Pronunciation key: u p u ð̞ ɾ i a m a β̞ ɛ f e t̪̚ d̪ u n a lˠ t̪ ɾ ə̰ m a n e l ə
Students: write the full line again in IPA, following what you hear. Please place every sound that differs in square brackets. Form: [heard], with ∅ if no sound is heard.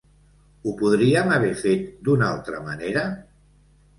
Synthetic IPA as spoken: u p u ð̞ ɾ i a m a β̞ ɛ f e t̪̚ d̪ u n a lˠ t̪ ɾ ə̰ m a n e [ɾ] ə